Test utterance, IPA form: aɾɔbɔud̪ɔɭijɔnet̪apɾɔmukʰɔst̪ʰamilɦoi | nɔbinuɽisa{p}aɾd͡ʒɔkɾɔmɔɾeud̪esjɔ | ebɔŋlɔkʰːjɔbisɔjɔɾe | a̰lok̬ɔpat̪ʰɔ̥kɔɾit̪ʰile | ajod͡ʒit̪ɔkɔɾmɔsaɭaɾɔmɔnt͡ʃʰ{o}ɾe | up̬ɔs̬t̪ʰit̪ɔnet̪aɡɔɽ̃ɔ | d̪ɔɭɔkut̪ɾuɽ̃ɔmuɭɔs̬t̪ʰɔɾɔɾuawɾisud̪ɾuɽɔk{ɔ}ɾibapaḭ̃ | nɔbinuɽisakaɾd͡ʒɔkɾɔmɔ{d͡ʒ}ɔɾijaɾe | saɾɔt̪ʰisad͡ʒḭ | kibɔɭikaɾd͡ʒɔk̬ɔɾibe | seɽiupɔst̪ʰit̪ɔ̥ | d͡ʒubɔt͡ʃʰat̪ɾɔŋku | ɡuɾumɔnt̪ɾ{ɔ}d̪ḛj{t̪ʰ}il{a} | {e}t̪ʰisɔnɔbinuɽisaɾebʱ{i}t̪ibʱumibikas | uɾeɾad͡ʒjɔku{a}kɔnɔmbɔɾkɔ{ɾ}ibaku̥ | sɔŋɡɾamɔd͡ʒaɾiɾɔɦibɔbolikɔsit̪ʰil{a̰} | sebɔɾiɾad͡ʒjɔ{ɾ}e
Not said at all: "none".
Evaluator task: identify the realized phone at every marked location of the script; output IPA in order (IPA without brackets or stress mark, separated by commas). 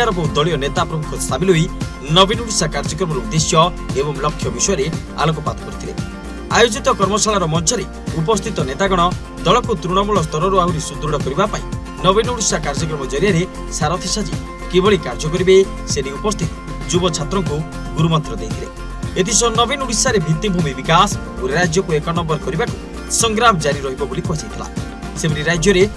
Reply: k, ɔ, ɔ, d͡ʒ, ɔ, t̪ʰ, e, e, i, e, ɾ, a̰, ɾ